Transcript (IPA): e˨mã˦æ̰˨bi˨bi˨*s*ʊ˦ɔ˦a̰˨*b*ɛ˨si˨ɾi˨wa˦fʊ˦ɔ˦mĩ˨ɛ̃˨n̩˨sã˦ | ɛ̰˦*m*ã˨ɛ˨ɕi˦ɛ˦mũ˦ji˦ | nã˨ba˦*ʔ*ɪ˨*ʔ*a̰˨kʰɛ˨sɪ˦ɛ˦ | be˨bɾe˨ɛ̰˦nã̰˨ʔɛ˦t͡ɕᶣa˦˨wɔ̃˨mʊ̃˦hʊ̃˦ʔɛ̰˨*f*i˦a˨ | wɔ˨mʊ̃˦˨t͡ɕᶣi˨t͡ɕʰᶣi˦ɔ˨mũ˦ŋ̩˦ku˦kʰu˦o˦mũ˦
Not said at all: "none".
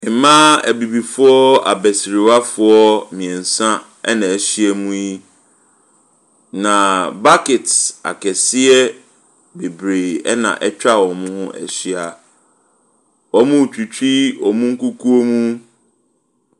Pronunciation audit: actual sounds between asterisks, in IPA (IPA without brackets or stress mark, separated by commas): f, b, n, k, t, ɕ